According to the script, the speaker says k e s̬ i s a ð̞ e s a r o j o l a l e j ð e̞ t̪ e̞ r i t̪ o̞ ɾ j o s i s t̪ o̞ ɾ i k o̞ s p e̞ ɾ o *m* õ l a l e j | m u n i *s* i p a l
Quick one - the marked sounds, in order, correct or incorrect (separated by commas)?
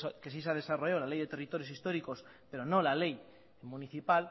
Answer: incorrect, incorrect